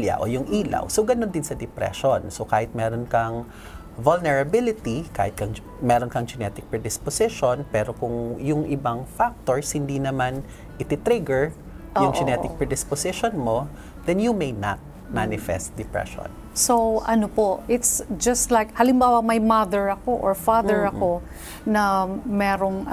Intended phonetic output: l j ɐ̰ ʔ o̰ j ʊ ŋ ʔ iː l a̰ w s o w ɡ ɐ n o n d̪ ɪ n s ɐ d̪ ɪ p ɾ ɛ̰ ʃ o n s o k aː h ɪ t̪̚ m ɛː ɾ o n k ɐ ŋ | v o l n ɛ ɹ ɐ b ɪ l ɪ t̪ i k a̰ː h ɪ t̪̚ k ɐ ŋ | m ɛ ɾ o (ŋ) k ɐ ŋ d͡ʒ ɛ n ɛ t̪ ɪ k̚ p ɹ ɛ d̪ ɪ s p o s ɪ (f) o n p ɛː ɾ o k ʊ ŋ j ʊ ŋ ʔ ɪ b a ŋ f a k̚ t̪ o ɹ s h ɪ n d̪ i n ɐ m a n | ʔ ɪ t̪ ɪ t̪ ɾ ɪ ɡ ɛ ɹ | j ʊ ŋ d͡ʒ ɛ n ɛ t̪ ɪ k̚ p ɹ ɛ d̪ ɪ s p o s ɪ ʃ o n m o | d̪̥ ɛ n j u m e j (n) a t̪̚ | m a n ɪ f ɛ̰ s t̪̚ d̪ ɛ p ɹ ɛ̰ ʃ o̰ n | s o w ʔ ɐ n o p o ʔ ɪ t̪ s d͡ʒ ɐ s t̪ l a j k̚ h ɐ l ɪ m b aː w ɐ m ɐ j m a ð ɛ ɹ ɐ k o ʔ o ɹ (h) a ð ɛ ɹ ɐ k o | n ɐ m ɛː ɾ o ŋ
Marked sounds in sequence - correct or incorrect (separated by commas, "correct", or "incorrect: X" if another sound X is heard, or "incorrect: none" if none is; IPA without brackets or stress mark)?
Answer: incorrect: n, incorrect: ʃ, correct, incorrect: f